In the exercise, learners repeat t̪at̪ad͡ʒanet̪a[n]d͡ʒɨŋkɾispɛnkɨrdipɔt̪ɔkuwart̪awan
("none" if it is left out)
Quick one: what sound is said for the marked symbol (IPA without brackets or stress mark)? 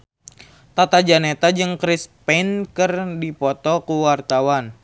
none